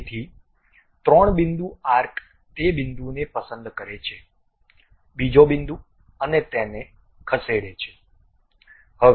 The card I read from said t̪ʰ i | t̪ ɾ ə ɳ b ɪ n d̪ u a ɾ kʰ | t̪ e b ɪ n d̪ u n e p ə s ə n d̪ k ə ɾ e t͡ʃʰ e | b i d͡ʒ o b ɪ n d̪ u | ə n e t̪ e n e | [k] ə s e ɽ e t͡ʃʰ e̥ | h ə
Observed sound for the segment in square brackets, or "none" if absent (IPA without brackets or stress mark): kʰ